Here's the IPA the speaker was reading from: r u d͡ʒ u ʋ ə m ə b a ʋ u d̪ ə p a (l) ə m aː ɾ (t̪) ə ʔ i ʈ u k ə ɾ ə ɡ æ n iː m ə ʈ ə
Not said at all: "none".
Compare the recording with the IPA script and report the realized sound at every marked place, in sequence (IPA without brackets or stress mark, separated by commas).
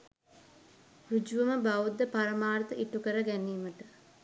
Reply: ɾ, t̪